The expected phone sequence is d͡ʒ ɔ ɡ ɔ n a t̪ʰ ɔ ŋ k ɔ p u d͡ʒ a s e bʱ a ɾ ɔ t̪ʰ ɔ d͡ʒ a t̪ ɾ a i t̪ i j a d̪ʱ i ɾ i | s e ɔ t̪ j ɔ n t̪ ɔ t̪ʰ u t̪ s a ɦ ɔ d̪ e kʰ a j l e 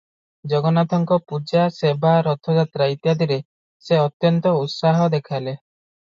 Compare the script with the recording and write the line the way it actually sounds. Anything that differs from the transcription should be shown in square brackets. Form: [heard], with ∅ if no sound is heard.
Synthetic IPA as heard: d͡ʒ ɔ ɡ ɔ n a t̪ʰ ɔ ŋ k ɔ p u d͡ʒ a s e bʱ a ɾ ɔ t̪ʰ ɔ d͡ʒ a t̪ ɾ a i t̪ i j a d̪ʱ i ɾ [e] | s e ɔ t̪ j ɔ n t̪ ɔ [∅] u t̪ s a ɦ ɔ d̪ e kʰ a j l e